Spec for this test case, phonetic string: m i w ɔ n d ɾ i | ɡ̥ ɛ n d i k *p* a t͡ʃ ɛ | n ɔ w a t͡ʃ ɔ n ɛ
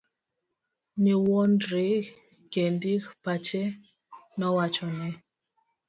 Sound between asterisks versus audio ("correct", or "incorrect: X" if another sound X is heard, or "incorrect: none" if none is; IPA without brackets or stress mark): correct